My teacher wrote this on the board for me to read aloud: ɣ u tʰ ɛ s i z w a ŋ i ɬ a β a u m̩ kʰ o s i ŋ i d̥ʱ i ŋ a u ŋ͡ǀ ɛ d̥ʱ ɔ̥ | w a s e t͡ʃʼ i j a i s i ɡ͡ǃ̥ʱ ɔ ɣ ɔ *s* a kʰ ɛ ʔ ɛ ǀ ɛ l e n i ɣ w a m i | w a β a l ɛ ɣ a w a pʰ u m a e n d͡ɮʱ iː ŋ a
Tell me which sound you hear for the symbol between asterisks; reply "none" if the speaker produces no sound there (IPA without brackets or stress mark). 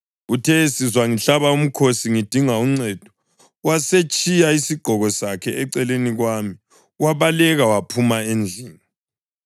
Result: s